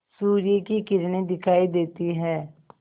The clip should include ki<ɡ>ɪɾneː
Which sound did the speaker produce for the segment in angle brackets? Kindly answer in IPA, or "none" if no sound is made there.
k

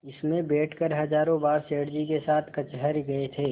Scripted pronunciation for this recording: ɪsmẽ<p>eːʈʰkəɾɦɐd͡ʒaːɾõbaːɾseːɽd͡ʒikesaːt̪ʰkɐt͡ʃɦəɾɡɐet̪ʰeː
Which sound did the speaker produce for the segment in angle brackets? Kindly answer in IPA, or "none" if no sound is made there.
b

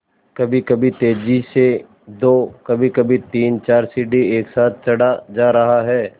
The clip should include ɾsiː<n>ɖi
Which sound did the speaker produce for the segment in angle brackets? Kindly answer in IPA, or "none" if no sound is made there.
none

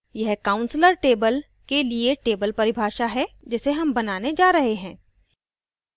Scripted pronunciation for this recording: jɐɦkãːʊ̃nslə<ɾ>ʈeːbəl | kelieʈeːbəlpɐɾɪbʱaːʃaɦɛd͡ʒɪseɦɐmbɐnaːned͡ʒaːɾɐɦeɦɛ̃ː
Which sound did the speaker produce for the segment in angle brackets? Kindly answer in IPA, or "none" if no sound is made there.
ɾ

